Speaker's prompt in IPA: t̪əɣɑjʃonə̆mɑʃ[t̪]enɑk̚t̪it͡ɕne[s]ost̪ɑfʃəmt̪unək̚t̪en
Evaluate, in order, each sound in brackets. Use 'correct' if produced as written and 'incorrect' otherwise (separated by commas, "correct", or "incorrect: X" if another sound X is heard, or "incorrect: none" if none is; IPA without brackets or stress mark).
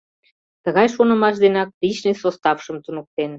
incorrect: d̪, correct